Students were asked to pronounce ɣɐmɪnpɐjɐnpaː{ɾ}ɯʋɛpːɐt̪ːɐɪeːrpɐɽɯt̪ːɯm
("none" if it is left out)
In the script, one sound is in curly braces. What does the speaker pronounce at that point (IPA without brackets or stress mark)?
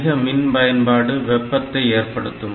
ɽ